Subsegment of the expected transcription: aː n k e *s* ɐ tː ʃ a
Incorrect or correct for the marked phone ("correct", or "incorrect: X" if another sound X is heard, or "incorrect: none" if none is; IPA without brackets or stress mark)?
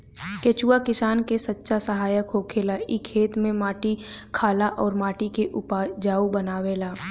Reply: correct